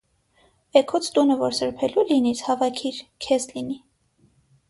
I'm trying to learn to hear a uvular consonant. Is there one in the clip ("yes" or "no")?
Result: no